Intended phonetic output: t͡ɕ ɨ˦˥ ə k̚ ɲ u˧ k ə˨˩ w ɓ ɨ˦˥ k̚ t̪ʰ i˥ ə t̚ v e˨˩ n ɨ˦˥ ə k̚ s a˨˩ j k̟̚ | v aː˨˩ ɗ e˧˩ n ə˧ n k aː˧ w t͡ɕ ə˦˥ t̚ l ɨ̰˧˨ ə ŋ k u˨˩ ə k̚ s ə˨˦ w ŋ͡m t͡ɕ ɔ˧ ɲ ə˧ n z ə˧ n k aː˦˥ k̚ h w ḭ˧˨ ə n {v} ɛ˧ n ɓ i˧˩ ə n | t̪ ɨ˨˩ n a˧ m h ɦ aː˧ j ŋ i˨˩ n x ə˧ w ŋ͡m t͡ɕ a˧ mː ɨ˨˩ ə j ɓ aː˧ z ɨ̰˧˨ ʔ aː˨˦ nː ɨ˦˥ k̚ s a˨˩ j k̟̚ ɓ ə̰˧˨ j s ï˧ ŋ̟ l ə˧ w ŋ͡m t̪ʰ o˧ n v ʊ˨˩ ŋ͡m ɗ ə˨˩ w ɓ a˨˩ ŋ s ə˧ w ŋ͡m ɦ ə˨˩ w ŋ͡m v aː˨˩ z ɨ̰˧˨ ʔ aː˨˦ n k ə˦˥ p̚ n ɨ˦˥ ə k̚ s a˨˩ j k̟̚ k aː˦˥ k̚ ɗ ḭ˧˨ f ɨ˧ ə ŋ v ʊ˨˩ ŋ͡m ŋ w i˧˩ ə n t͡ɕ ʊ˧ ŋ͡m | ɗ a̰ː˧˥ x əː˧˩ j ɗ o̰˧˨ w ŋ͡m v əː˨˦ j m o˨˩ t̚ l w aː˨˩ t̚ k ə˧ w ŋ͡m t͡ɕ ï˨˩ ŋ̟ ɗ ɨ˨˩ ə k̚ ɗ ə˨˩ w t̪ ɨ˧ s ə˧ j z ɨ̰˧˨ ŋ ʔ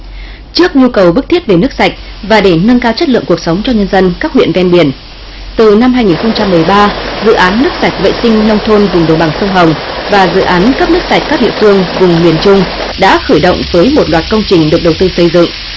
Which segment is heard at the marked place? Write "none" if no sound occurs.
v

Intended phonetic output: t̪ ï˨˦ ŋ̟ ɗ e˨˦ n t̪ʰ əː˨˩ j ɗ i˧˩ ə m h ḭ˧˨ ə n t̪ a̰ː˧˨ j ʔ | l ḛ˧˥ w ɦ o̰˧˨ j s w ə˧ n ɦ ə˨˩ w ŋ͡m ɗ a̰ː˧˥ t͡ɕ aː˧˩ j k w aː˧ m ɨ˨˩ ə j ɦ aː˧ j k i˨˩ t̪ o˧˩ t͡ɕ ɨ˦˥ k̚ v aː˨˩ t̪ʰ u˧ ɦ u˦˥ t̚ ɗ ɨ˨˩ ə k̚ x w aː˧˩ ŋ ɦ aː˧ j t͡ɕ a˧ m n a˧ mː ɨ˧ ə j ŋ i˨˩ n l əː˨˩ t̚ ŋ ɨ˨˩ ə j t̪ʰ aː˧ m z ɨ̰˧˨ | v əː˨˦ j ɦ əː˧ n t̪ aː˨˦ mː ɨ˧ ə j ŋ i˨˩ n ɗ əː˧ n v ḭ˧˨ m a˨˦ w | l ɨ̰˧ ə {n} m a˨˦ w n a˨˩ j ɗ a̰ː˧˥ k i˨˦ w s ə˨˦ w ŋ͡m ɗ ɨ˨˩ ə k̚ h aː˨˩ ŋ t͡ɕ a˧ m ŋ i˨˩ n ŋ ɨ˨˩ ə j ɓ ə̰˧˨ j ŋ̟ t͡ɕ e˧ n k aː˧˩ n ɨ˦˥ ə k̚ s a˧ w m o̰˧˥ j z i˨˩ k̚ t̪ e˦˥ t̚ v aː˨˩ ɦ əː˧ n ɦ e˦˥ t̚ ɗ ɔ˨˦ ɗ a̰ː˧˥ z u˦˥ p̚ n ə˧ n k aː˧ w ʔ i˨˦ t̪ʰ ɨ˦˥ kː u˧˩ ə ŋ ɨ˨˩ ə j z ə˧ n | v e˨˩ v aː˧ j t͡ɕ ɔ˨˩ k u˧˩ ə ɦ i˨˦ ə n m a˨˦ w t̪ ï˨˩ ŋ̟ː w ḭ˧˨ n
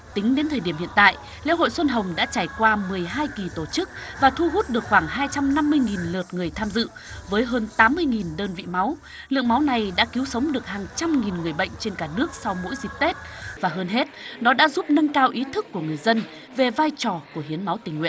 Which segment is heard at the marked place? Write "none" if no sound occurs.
ŋ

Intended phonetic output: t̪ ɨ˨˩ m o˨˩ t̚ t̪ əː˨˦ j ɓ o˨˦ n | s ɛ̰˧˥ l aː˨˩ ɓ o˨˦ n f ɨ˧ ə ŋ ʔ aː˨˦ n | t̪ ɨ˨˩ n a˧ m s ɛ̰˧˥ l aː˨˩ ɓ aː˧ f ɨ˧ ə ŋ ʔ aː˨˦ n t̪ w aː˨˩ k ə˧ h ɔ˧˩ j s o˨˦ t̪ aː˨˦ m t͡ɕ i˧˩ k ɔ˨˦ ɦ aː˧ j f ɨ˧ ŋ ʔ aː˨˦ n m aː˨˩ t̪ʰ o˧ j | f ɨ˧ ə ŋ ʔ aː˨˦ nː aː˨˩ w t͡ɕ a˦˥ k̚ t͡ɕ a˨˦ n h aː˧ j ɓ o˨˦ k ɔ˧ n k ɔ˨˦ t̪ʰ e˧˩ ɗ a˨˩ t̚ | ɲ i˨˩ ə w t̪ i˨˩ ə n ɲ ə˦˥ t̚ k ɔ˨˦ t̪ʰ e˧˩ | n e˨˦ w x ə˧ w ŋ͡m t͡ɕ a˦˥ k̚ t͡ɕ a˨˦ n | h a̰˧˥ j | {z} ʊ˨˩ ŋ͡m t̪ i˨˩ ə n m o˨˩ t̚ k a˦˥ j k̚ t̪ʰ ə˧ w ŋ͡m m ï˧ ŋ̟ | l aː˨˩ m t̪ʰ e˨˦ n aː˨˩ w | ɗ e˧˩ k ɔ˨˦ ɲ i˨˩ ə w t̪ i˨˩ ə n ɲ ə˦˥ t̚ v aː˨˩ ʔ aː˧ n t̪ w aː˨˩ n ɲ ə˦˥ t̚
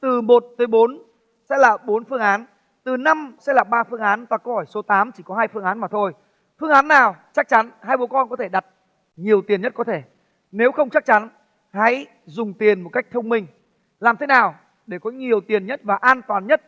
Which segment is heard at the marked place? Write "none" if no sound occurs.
z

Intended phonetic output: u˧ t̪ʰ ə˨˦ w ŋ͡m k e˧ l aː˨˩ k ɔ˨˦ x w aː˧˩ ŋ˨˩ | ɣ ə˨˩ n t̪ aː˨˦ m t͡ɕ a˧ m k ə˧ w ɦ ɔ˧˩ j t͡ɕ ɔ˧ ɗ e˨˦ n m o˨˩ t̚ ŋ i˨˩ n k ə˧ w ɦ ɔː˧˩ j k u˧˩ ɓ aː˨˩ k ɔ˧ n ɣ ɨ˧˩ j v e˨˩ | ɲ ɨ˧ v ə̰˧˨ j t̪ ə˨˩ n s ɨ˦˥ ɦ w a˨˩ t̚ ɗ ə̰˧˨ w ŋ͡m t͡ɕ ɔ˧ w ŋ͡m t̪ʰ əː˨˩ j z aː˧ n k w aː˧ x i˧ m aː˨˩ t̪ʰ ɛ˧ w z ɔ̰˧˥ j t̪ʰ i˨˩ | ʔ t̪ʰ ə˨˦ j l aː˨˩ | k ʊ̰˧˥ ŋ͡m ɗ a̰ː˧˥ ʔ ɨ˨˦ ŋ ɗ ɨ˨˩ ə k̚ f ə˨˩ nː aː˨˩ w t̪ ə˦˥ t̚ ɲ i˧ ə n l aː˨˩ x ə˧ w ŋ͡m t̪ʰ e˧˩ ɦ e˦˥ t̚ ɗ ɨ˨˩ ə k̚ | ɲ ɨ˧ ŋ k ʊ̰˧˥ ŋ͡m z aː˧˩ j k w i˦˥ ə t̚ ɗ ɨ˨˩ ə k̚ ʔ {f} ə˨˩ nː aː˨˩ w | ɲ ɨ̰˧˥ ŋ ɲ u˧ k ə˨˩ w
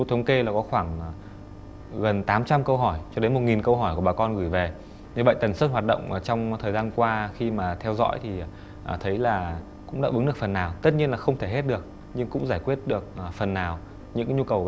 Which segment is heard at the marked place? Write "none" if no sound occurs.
f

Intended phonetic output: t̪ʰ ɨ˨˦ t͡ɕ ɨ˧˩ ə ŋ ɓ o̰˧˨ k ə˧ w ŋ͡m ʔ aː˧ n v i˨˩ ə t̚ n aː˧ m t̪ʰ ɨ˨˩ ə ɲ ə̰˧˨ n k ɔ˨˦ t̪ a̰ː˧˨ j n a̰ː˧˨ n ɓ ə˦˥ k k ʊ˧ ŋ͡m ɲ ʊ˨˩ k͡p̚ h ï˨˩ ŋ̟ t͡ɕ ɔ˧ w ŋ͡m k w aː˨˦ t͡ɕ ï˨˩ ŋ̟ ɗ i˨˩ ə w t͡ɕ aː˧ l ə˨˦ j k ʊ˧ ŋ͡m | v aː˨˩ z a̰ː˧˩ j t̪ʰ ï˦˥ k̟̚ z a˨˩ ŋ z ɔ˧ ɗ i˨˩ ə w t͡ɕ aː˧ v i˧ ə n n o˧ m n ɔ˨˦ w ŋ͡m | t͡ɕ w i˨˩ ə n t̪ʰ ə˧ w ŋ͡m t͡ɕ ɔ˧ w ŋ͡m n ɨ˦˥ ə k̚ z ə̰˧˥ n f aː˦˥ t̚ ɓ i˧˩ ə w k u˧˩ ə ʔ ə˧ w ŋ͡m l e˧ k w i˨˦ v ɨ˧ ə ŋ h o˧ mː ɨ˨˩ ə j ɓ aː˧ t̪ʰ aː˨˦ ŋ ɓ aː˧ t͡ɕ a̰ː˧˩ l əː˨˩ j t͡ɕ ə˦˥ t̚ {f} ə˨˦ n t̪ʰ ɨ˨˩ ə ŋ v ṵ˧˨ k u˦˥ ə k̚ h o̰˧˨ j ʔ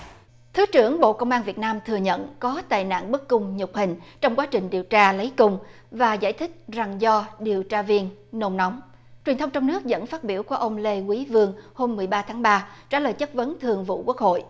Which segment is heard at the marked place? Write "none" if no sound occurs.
v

